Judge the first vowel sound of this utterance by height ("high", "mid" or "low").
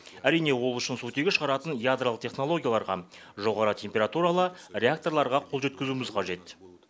low